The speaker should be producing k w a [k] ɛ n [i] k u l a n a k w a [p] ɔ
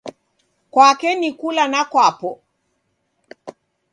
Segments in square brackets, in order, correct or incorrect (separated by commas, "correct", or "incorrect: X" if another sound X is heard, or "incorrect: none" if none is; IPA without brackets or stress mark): correct, correct, correct